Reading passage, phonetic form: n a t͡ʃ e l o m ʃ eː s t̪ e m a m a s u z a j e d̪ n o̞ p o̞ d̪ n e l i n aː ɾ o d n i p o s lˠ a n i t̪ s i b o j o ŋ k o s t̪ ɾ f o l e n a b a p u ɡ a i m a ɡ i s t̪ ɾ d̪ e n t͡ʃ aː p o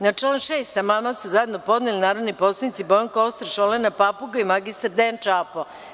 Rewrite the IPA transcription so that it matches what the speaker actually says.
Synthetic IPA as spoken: n a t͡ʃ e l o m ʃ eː s t̪ a m a m a s u z a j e d̪ n o̞ p o̞ d̪ n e l i n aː ɾ o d n i p o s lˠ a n i t̪ s i b o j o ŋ k o s t̪ ɾ ʃ o l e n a p a p u ɡ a i m a ɡ i s t̪ ɾ d̪ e n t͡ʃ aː p o